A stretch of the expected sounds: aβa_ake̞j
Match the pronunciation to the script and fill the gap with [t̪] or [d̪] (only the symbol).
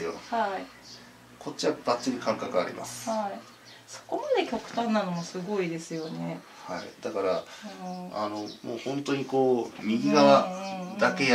d̪